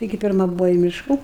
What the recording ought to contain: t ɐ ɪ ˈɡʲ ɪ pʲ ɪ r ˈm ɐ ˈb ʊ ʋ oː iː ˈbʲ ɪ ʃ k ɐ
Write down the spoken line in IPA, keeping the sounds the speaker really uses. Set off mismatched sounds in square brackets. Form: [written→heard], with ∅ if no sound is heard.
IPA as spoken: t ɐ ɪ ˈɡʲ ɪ pʲ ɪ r ˈm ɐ ˈb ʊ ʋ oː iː [ˈbʲ→ˈmʲ] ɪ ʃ k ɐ